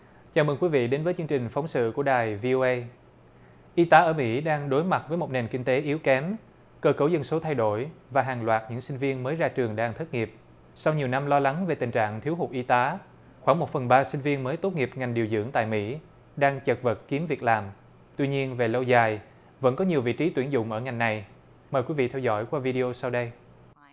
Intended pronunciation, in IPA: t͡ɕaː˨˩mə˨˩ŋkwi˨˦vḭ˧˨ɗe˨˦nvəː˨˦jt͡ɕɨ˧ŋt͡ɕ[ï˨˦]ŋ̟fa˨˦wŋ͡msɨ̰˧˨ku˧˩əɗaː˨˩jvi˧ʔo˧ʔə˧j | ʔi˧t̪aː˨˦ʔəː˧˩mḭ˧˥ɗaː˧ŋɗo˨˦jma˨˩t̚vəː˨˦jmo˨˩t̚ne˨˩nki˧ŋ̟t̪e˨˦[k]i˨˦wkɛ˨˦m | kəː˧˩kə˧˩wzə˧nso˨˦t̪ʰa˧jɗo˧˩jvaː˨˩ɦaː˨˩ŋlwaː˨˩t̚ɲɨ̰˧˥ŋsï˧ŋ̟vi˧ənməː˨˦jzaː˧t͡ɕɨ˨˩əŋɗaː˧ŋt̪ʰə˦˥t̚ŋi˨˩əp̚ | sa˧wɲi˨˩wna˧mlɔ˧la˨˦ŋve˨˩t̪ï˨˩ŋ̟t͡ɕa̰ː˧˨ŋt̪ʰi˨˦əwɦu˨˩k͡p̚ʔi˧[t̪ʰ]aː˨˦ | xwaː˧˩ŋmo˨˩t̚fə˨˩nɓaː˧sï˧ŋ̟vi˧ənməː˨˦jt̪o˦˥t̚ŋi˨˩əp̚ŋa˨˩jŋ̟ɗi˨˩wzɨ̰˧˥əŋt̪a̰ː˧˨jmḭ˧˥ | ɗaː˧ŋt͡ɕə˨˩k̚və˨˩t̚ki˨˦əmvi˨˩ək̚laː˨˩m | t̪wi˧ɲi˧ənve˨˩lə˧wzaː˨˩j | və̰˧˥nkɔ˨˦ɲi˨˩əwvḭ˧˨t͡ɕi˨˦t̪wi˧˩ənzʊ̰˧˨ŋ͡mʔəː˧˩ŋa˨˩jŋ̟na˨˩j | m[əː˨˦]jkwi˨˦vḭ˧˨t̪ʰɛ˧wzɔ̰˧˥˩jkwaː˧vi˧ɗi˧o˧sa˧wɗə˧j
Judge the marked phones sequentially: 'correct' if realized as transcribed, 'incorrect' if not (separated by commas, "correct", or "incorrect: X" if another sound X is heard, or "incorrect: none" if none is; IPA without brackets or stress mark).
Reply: incorrect: ï˨˩, incorrect: ʔ, incorrect: t̪, incorrect: əː˨˩